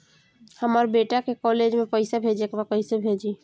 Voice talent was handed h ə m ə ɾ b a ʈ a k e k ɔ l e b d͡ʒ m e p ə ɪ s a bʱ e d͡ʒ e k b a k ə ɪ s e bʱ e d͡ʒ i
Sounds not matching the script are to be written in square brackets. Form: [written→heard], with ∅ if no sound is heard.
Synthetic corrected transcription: h ə m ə ɾ b [a→e] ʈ a k e k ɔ l e [b→∅] d͡ʒ m e p ə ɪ s a bʱ e d͡ʒ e k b a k ə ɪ s e bʱ e d͡ʒ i